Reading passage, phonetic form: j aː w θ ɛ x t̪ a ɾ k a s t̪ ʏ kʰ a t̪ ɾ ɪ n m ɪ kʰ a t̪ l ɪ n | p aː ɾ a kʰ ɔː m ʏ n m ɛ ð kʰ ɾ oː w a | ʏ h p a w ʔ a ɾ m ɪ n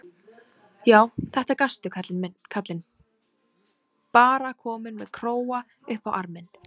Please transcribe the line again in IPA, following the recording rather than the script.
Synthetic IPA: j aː w θ ɛ h t̪ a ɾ k a s t̪ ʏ kʰ a t̪ l ɪ n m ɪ kʰ a t̪ l ɪ n | p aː ɾ a kʰ ɔː m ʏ n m ɛ ð kʰ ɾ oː w a | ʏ h p a w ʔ a ɾ m ɪ n